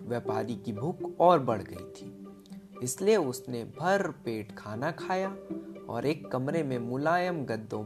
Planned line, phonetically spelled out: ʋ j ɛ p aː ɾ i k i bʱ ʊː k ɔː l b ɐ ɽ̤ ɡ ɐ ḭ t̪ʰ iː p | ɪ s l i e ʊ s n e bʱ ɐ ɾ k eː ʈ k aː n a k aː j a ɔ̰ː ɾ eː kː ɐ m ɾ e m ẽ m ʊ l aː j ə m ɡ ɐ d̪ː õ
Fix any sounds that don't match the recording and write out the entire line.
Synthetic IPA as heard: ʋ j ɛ p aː ɾ i k i bʱ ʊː k ɔː ɾ b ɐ ɽ̤ ɡ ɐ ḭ t̪ʰ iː | ɪ s l i e ʊ s n e bʱ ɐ ɾ p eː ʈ kʰ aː n a kʰ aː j a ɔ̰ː ɾ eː kː ɐ m ɾ e m ẽ m ʊ l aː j ə m ɡ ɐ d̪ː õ